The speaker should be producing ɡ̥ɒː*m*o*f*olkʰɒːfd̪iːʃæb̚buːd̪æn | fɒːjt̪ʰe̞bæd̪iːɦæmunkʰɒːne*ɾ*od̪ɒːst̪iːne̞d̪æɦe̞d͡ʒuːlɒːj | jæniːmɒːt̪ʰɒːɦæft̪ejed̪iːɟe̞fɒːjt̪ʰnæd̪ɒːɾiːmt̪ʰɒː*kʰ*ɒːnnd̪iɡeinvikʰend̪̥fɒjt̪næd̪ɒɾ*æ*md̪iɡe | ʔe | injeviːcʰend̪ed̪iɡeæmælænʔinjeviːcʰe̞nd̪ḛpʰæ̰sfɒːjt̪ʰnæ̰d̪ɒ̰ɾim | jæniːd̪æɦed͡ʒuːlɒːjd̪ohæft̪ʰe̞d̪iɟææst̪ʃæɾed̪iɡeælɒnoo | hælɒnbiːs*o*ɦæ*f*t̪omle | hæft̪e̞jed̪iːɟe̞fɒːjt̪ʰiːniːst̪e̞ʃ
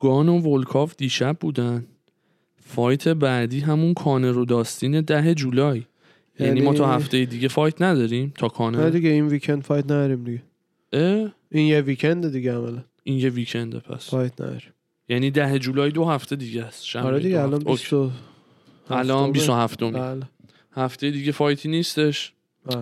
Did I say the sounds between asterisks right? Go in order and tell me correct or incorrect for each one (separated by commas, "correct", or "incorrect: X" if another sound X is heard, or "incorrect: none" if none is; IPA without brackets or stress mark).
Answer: incorrect: n, incorrect: v, correct, correct, incorrect: i, correct, correct